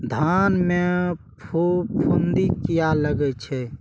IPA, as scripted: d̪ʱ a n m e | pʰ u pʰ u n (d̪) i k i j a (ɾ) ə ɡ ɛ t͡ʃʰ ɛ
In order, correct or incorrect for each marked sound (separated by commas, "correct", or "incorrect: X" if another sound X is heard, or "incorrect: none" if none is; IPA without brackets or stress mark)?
correct, incorrect: l